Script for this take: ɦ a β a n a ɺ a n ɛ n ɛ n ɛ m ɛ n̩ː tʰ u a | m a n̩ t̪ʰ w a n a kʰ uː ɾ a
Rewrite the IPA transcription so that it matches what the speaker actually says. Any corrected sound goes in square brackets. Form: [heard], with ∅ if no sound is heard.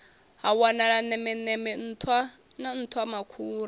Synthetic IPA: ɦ a [w] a n a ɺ a n ɛ [m] ɛ n ɛ m ɛ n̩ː tʰ [w] a | [n] a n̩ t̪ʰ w a [m] a kʰ uː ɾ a